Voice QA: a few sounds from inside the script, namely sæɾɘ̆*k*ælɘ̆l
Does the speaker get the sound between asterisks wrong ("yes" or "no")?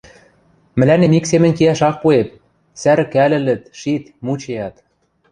no